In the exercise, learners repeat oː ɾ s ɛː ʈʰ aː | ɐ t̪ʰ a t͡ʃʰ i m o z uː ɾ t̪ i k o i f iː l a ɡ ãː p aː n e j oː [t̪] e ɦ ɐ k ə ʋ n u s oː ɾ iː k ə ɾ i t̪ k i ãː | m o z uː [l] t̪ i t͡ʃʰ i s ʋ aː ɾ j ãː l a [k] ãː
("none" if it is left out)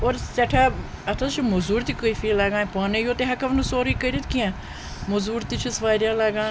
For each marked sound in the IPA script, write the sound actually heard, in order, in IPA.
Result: t̪, ɾ, ɡ

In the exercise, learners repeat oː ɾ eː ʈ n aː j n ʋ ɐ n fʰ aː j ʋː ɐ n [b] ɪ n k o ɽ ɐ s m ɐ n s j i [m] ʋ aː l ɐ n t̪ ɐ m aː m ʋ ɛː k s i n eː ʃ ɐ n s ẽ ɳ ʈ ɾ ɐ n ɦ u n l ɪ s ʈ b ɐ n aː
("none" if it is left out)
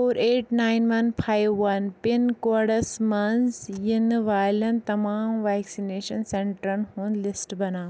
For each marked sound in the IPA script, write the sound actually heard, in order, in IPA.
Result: p, n

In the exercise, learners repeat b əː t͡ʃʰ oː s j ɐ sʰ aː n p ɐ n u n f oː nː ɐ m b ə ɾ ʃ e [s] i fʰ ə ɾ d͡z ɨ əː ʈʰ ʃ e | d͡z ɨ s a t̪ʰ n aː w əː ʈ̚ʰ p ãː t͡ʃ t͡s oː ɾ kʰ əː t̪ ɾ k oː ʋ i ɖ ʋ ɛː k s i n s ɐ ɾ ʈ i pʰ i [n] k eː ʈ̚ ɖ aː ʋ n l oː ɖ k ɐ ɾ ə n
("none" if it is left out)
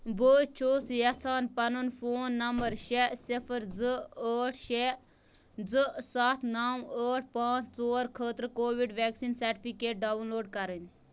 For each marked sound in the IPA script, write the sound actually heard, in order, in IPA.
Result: s, none

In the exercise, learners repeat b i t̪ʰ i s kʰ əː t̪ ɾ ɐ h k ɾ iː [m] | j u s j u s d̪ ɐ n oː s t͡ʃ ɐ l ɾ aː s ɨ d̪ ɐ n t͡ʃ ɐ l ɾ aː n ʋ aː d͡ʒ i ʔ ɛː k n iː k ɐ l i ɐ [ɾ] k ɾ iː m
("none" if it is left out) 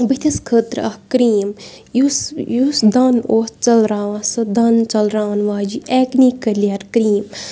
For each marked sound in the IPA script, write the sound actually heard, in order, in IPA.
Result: m, ɾ

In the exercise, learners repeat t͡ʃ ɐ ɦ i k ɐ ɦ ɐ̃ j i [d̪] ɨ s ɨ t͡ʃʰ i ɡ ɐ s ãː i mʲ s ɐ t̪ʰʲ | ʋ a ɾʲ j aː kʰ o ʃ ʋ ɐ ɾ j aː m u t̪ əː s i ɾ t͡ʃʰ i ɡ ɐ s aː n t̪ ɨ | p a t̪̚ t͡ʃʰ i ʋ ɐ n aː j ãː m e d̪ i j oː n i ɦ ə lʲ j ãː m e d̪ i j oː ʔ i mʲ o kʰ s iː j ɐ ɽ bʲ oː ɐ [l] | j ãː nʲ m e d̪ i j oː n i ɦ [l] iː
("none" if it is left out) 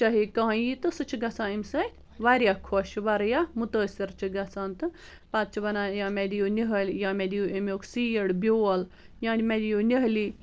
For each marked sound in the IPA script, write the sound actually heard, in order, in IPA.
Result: t̪, l, l

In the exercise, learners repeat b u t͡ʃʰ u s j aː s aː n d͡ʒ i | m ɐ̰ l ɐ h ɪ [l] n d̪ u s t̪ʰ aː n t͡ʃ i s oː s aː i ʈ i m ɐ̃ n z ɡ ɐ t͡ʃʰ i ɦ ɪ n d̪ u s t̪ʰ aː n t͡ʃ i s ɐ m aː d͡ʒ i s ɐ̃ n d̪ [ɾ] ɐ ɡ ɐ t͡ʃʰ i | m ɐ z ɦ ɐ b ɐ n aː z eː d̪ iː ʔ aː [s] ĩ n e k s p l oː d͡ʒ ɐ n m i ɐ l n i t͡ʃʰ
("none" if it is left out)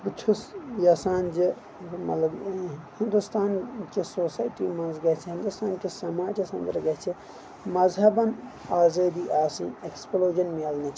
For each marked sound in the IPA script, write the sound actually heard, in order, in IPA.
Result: none, ɾ, s

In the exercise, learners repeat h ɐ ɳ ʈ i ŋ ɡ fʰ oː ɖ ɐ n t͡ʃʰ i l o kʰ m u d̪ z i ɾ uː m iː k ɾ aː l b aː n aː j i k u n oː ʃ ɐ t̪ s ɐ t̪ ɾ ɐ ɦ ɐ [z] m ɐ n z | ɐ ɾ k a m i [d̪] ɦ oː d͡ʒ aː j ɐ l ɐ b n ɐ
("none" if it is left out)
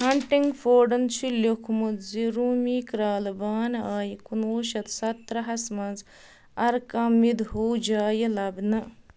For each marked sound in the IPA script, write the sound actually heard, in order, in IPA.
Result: s, d̪

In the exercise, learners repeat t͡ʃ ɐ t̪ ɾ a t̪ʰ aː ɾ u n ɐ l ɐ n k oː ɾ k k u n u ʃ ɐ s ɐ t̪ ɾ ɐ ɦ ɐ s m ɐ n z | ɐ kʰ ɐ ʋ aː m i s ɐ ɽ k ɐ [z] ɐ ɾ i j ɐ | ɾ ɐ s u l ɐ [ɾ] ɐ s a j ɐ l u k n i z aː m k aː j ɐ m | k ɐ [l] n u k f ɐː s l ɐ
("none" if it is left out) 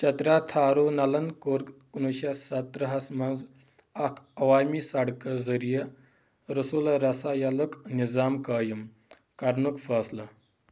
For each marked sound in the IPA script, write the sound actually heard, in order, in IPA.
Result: z, ɾ, ɾ

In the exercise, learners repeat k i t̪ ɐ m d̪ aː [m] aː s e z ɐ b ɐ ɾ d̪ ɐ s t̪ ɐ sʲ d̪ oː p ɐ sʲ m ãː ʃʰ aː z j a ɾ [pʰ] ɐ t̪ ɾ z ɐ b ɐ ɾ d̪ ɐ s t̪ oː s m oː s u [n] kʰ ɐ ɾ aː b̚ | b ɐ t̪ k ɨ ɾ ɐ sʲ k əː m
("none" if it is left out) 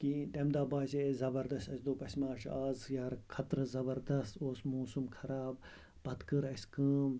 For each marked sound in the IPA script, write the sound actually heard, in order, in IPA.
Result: b, kʰ, m

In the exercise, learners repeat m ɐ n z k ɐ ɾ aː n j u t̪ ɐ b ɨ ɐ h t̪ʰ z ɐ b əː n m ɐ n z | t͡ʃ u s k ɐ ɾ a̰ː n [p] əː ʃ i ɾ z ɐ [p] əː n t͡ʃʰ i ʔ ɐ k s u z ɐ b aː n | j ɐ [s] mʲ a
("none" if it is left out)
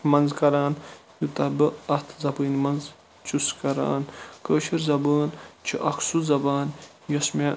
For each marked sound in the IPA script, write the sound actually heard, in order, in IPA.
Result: k, b, s

